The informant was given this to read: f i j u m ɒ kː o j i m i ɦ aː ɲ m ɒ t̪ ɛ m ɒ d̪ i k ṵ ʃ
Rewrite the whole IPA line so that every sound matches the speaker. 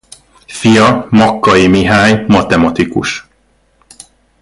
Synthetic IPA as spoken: f i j ɒ m ɒ kː ɒ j i m i ɦ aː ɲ m ɒ t̪ ɛ m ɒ t̪ i k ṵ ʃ